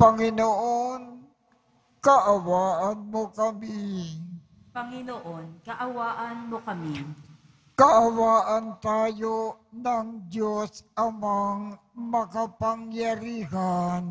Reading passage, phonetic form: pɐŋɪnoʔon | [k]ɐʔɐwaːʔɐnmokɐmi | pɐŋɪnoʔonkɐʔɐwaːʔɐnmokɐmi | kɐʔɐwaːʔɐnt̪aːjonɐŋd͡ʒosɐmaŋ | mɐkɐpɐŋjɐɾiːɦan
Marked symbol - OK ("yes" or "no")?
yes